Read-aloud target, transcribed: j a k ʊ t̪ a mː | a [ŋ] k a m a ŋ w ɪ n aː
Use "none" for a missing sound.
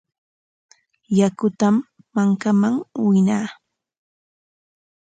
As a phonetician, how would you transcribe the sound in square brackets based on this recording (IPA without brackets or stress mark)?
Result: ŋ